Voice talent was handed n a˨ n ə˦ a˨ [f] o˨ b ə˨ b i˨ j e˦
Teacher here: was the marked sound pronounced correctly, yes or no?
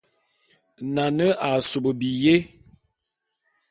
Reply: no